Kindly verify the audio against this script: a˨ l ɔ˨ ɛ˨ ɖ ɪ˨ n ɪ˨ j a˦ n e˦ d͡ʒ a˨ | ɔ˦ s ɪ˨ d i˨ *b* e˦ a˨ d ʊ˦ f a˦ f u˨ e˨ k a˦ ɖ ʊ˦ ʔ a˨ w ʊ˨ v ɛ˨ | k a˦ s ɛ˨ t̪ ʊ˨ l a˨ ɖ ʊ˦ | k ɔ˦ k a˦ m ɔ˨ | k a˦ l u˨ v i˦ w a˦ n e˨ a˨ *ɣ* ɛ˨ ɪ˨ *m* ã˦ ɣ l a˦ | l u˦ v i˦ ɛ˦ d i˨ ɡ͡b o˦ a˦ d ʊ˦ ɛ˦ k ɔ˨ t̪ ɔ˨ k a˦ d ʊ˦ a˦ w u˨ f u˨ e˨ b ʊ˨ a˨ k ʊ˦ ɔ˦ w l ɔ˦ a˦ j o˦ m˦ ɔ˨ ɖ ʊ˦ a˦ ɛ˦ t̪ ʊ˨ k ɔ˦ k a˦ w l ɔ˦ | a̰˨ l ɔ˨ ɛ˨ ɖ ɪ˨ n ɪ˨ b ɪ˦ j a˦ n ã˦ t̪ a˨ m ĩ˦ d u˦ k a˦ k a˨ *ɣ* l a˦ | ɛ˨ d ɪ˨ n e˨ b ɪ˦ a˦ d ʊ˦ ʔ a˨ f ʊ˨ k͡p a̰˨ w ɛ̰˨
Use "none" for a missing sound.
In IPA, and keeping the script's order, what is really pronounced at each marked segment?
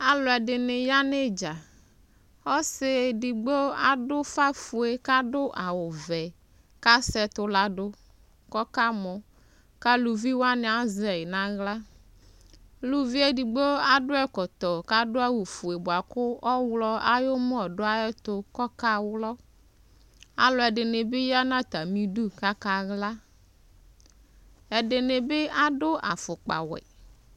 ɡ͡b, z, n, ɣ

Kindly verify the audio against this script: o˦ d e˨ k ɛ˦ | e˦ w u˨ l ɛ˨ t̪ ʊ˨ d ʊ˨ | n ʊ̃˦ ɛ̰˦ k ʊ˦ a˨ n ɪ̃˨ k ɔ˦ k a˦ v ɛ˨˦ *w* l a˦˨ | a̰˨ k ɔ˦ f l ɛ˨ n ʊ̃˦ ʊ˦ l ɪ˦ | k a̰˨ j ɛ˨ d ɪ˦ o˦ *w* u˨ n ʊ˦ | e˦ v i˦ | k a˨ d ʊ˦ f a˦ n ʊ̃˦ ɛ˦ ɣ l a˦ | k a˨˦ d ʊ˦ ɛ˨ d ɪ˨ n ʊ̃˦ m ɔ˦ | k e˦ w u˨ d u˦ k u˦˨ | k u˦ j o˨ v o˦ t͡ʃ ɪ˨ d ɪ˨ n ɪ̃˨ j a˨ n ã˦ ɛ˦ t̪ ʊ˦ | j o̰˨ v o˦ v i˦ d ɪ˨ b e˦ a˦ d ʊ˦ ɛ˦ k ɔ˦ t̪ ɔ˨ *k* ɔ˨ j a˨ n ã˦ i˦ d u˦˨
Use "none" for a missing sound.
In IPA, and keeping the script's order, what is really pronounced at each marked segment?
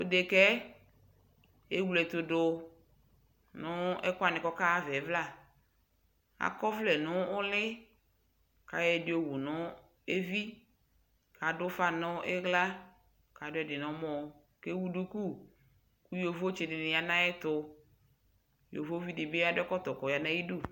v, w, k

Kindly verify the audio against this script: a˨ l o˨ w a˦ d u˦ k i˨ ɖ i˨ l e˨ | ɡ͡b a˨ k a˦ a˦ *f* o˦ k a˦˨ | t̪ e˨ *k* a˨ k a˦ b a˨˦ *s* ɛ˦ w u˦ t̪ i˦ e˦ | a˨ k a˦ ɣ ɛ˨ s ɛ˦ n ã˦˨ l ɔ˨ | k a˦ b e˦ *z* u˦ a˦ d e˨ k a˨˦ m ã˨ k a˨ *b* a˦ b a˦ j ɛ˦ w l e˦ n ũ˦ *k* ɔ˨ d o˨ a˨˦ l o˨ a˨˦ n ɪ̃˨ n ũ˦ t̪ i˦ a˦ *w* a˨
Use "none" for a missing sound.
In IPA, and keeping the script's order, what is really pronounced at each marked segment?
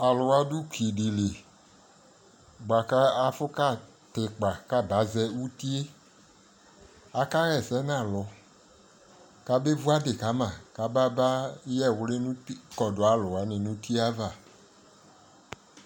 f, k͡p, z, v, b, k, v

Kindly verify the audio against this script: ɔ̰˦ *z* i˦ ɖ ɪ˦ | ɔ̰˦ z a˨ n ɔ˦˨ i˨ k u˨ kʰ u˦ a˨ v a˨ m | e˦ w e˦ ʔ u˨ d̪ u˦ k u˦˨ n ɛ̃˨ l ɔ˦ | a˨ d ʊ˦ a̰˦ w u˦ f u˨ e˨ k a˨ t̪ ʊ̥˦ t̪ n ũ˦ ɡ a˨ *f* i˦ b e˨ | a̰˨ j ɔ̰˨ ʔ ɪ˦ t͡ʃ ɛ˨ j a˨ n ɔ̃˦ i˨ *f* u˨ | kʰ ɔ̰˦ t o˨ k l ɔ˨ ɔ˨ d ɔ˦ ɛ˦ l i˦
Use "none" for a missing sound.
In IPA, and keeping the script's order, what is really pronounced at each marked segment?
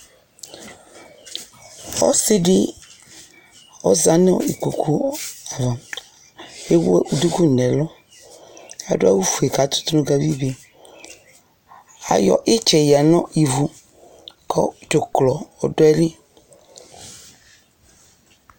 s, v, v

